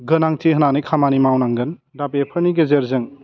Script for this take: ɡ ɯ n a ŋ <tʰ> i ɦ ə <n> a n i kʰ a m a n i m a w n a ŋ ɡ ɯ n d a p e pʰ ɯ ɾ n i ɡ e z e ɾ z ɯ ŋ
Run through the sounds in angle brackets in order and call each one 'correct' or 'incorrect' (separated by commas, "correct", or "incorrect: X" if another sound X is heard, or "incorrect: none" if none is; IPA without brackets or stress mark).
correct, correct